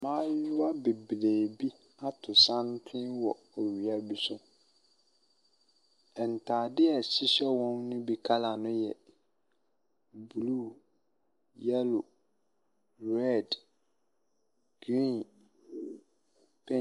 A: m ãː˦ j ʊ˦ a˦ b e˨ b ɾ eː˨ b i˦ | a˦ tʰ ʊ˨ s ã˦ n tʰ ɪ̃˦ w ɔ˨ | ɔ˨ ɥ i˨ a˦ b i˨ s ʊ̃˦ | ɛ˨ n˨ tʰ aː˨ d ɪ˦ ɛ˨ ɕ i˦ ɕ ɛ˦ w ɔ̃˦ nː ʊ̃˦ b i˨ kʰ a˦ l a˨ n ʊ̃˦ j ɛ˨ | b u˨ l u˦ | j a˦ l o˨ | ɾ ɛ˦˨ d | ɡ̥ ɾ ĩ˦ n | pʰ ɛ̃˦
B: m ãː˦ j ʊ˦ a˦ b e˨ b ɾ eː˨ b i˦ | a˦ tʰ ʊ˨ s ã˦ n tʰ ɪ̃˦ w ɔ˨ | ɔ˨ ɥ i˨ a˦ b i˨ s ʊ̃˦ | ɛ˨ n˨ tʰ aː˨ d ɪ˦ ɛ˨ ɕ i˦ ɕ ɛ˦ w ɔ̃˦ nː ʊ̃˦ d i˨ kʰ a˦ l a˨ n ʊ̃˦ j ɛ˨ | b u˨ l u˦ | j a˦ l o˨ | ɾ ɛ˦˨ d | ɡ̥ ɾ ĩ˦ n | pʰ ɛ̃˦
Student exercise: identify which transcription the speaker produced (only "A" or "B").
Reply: A